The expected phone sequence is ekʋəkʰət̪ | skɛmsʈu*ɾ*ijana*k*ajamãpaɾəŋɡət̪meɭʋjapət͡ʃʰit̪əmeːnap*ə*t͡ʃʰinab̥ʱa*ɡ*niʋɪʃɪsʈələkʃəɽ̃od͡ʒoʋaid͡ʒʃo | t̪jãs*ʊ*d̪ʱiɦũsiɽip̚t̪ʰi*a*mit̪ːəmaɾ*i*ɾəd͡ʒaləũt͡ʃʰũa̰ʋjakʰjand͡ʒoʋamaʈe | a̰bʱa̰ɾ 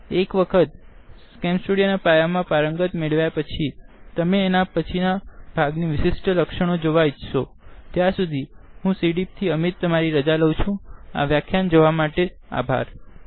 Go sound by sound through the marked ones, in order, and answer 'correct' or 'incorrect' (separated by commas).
incorrect, incorrect, correct, correct, incorrect, incorrect, correct